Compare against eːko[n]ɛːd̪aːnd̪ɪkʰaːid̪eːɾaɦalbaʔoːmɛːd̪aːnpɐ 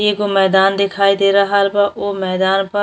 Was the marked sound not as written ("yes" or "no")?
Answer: yes